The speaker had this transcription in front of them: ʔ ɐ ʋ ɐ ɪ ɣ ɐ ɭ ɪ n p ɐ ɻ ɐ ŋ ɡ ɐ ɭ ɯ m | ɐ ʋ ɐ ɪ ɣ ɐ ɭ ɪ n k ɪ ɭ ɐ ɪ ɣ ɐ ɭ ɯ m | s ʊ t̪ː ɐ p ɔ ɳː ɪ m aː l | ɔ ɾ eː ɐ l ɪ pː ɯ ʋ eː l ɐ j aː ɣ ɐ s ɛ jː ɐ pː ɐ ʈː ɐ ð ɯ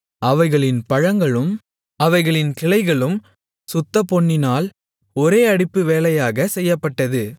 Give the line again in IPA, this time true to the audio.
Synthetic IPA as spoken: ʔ ɐ ʋ ɐ ɪ ɣ ɐ ɭ ɪ n p ɐ ɻ ɐ ŋ ɡ ɐ ɭ ɯ m | ɐ ʋ ɐ ɪ ɣ ɐ ɭ ɪ n k ɪ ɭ ɐ ɪ ɣ ɐ ɭ ɯ m | s ʊ t̪ː ɐ p ɔ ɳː ɪ n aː l | ɔ ɾ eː ɐ ɽ ɪ pː ɯ ʋ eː l ɐ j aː ɣ ɐ s ɛ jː ɐ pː ɐ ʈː ɐ ð ɯ